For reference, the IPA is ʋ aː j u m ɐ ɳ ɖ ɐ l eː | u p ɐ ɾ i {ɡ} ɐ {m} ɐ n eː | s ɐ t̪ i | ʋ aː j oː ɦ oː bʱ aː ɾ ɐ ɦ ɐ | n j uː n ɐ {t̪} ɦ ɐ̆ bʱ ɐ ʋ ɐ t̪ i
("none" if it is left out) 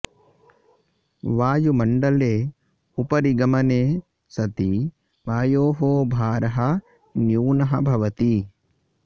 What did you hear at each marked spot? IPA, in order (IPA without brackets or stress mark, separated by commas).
ɡ, m, none